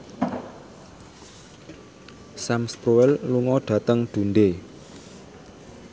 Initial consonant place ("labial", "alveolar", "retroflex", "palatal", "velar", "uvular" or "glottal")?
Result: alveolar